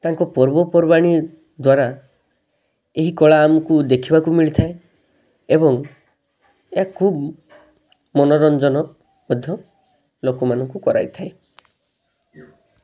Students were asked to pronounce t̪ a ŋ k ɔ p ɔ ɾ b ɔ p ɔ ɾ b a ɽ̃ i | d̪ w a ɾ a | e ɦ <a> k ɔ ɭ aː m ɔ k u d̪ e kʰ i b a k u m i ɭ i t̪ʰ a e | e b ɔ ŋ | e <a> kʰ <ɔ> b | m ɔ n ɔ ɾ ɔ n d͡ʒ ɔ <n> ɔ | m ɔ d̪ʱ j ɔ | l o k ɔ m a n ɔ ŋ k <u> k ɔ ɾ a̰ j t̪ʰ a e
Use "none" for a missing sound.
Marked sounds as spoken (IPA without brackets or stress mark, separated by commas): i, a, u, n, u